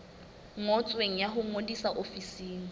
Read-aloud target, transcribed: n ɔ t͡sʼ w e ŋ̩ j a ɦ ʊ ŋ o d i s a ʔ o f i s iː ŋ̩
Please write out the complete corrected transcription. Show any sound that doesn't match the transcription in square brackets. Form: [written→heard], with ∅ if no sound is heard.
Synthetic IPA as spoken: [n→ŋ] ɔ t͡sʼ w e ŋ̩ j a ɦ ʊ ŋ o d i s a ʔ o f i s iː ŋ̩